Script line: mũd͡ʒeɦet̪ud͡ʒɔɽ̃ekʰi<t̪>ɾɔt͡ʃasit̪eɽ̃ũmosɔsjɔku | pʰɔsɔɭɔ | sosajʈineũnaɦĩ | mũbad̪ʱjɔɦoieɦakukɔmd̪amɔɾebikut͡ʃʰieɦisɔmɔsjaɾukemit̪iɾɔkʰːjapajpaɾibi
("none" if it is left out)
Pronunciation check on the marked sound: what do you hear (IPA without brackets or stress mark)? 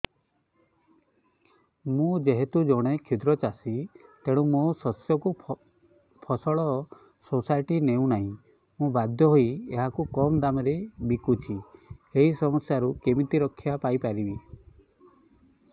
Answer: d̪